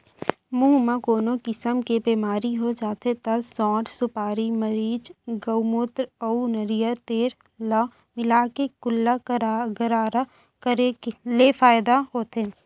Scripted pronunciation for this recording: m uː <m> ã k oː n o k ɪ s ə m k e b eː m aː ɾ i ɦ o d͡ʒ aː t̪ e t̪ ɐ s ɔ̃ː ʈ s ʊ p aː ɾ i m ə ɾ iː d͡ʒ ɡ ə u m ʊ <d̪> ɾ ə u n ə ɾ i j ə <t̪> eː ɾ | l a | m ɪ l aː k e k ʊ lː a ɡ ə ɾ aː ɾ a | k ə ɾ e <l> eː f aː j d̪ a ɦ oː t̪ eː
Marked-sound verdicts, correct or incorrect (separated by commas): correct, incorrect, correct, correct